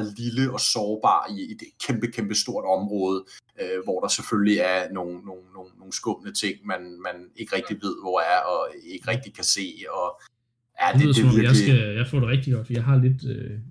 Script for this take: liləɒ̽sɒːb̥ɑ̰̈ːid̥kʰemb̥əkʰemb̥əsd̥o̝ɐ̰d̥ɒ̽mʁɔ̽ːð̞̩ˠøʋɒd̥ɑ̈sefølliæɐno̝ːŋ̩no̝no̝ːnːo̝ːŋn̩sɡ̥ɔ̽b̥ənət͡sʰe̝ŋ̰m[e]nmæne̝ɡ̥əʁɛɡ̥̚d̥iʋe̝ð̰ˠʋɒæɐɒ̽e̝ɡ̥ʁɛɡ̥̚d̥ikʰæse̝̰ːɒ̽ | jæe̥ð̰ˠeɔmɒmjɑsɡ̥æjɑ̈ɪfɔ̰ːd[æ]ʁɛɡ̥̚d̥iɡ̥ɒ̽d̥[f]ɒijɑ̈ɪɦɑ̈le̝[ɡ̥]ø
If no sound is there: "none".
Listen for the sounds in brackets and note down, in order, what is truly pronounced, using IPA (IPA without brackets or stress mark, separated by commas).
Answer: æ, e, f, d̥